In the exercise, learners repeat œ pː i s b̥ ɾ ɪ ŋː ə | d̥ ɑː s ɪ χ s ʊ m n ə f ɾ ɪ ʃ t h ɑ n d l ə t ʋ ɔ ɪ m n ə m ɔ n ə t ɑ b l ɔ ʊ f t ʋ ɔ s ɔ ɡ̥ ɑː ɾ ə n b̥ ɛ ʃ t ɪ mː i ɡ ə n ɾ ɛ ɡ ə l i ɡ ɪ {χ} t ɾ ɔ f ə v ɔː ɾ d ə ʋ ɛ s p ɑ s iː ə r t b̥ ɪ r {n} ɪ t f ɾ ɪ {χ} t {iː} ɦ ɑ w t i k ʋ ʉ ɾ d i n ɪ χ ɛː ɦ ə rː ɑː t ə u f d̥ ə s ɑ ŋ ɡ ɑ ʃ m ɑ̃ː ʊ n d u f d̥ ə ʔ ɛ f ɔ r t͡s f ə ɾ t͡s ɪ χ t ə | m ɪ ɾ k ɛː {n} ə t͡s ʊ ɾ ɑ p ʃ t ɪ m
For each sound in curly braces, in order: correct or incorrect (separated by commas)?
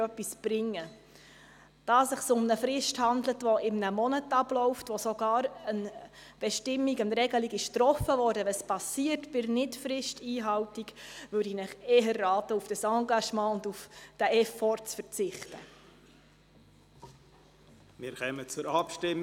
incorrect, correct, incorrect, correct, incorrect